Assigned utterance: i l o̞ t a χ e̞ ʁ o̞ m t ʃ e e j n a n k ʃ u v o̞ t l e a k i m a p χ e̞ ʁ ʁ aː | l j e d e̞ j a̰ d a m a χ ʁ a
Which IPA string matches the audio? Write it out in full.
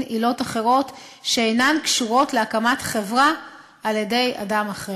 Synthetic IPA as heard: i l o̞ t a χ e̞ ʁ o̞ t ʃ e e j n a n k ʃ u ʁ o̞ t l e a k a m a t χ e̞ v ʁ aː | l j e d e̞ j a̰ d a m a χ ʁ e